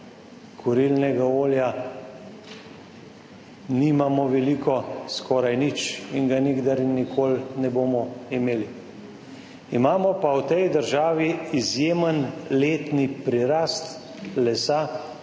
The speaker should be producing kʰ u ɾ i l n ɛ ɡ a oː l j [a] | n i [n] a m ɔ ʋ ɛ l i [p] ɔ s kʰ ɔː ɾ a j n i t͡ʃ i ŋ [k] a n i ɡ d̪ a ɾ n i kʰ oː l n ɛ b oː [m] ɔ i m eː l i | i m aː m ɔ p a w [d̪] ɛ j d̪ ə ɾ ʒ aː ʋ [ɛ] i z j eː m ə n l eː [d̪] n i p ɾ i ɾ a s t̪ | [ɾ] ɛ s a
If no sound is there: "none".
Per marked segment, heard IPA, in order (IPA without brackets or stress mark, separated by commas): a, m, k, ɡ, m, t̪, i, t̪, l